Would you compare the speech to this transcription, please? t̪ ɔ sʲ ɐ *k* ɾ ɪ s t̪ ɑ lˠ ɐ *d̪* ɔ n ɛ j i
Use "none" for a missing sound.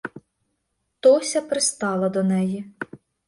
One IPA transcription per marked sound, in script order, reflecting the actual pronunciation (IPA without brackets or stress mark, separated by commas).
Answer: p, d̪